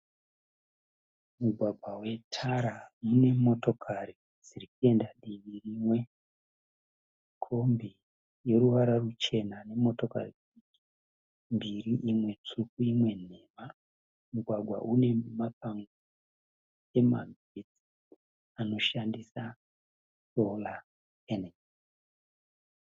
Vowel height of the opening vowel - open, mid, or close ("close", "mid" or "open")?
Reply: close